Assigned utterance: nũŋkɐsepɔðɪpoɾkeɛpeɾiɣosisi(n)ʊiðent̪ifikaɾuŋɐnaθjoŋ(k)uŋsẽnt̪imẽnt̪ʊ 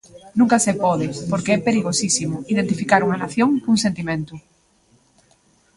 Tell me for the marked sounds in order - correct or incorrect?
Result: incorrect: m, correct

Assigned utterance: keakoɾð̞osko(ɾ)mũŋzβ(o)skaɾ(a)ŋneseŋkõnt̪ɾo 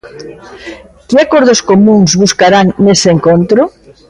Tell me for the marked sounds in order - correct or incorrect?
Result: incorrect: none, incorrect: u, correct

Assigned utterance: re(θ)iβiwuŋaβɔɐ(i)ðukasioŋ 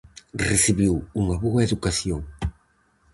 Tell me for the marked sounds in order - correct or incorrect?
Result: incorrect: s, incorrect: e

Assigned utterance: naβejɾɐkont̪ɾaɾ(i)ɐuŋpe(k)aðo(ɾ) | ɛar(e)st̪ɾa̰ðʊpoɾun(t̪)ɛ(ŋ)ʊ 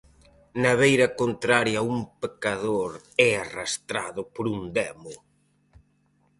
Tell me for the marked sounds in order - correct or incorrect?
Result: incorrect: j, correct, correct, incorrect: a, incorrect: d̪, incorrect: m

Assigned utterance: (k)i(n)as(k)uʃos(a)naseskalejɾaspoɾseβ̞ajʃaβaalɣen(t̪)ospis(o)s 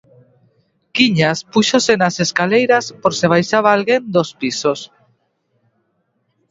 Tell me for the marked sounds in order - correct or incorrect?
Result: correct, incorrect: ɲ, incorrect: p, incorrect: e, incorrect: d̪, correct

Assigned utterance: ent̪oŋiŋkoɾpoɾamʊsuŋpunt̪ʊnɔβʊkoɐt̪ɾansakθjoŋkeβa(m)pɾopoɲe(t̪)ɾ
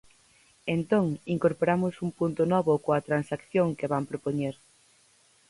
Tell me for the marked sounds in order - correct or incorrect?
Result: correct, incorrect: none

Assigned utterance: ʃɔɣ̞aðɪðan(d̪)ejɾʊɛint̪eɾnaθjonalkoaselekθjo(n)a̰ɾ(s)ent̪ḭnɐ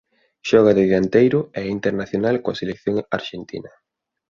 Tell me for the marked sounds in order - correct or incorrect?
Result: incorrect: t̪, incorrect: ŋ, incorrect: ʃ

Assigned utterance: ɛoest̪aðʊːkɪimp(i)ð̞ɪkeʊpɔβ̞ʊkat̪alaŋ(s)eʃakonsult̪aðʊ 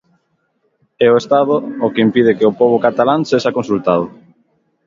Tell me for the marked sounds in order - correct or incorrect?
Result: correct, correct

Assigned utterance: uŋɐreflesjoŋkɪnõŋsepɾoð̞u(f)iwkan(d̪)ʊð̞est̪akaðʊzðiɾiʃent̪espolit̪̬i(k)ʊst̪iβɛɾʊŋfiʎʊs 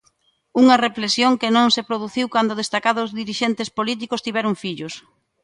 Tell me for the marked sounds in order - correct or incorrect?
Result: incorrect: θ, correct, correct

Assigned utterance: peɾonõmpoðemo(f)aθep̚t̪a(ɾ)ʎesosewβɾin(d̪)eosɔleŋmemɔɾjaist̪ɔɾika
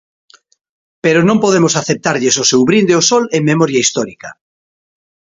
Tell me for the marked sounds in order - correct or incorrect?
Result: incorrect: s, correct, correct

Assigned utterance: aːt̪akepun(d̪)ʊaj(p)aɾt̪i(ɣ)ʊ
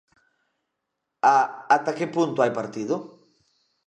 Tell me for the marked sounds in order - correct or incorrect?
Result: incorrect: t̪, correct, incorrect: ð

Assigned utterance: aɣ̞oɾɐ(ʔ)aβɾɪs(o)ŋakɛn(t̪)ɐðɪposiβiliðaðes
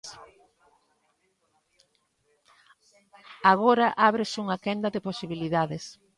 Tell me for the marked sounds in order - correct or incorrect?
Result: correct, incorrect: u, incorrect: d̪

